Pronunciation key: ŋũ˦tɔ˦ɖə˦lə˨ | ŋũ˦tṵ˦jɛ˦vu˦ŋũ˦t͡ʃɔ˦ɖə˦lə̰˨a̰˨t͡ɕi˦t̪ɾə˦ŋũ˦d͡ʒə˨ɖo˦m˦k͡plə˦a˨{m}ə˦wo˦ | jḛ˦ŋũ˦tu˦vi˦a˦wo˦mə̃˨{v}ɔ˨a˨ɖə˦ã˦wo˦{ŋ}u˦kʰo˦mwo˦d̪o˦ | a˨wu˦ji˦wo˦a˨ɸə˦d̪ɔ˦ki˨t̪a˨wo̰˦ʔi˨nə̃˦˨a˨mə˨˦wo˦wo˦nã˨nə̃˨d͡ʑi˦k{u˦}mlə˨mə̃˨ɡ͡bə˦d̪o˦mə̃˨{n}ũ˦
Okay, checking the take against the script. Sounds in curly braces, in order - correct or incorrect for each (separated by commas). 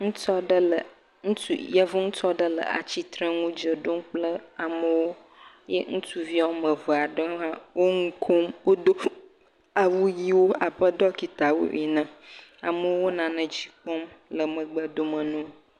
correct, correct, correct, incorrect, correct